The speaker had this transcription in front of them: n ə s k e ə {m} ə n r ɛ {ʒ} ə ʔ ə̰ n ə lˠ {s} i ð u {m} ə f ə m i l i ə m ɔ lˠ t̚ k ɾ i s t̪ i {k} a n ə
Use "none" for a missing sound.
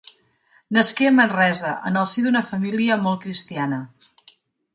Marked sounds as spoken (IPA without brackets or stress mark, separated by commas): m, z, s, n, none